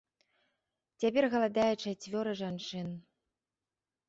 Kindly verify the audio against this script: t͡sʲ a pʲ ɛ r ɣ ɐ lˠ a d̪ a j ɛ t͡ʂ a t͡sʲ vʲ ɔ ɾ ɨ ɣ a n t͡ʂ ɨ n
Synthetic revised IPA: t͡sʲ a pʲ ɛ r ɣ ɐ lˠ a d̪ a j ɛ t͡ʂ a t͡sʲ vʲ ɔ ɾ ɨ ʐ a n t͡ʂ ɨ n